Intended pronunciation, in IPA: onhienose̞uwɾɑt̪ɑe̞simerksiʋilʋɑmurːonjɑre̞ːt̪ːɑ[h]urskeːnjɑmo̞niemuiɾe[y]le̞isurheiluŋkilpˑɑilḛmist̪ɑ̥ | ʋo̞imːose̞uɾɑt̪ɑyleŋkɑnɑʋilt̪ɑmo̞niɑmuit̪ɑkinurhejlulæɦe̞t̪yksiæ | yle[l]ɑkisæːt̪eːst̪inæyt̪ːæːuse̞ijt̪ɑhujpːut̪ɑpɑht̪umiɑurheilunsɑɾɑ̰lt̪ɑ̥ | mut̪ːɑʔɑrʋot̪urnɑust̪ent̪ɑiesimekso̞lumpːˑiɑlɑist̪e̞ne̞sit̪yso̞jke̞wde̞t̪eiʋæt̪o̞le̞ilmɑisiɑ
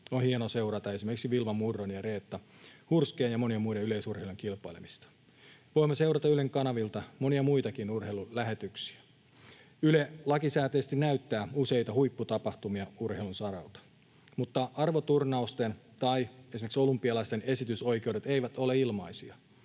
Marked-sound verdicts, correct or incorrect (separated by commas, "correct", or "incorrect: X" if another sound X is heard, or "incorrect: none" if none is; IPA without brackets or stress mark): correct, correct, correct